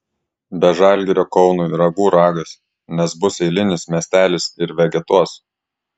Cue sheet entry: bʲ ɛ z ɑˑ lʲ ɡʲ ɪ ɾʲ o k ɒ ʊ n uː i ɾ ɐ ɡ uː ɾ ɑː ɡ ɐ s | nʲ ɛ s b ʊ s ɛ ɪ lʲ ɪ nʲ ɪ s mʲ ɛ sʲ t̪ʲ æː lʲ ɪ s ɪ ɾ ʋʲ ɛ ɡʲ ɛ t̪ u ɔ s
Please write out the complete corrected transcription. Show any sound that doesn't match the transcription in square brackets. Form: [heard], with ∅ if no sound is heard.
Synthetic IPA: bʲ ɛ [ʒ] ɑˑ lʲ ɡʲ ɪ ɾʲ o k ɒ ʊ n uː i ɾ ɐ ɡ uː ɾ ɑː ɡ ɐ s | nʲ ɛ s b ʊ s ɛ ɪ lʲ ɪ nʲ ɪ s mʲ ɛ sʲ t̪ʲ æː lʲ ɪ s ɪ ɾ ʋʲ ɛ ɡʲ ɛ t̪ u ɔ s